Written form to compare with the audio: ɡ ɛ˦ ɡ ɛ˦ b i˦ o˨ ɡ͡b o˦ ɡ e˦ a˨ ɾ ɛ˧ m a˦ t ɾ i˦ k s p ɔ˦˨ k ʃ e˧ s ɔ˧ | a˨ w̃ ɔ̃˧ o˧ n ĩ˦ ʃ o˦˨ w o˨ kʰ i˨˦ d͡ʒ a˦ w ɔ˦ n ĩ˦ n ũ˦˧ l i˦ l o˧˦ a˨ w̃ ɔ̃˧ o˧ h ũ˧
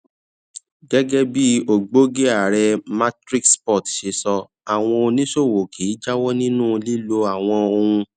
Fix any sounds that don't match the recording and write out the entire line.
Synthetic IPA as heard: ɡ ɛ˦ ɡ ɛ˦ b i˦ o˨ ɡ͡b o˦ ɡ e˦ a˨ ɾ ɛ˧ m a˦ t ɾ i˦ k s p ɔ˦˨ t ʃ e˧ s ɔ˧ | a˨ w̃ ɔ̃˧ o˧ n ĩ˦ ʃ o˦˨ w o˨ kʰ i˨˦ d͡ʒ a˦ w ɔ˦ n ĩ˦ n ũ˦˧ l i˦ l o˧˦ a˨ w̃ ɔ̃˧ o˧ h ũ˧